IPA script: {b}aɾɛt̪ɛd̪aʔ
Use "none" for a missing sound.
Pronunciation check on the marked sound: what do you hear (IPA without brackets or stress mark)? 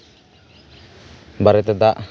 b